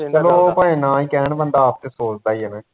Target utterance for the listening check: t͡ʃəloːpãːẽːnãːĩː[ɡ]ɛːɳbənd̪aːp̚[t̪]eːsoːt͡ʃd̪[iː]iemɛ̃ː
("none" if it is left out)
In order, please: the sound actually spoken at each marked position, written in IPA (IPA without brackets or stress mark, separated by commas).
k, t̪, aː